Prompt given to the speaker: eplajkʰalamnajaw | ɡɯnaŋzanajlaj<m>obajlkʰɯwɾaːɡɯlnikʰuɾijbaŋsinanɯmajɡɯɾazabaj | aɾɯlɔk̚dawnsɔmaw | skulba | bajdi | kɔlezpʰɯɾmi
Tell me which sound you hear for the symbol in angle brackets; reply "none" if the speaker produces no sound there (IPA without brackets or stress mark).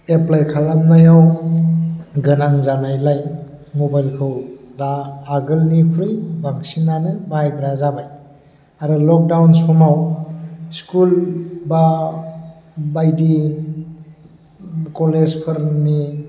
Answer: m